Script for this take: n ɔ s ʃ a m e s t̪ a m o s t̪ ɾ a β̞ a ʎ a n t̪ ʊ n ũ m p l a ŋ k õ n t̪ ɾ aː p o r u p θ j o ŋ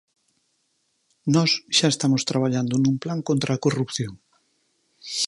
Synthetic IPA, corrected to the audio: n ɔ s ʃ a e s t̪ a m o s t̪ ɾ a β̞ a ʎ a n d̪ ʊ n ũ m p l a ŋ k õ n t̪ ɾ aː k o r u p θ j o ŋ